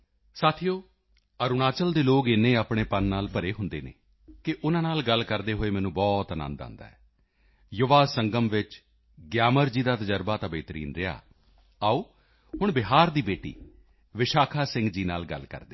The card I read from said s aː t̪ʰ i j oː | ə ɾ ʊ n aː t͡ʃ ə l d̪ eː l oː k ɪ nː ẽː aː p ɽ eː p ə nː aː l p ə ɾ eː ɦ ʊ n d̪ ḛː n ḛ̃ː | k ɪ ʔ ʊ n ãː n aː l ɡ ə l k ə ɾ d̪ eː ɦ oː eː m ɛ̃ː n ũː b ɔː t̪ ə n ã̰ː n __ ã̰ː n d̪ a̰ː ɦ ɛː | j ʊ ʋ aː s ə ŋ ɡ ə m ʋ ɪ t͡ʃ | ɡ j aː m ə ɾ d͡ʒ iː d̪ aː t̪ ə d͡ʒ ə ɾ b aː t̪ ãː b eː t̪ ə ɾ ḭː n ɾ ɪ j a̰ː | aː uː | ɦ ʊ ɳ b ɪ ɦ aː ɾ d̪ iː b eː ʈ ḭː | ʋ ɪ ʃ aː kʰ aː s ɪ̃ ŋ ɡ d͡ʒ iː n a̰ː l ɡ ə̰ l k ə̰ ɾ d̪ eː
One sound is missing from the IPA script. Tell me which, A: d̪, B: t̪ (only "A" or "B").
A